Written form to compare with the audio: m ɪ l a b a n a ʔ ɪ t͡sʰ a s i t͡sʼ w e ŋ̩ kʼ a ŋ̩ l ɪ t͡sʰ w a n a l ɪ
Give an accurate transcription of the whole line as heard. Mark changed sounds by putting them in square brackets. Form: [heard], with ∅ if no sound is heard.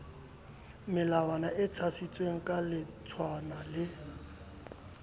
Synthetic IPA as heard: m ɪ l a [w] a n a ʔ ɪ t͡sʰ a s i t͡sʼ w e ŋ̩ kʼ a [∅] l ɪ t͡sʰ w a n a l ɪ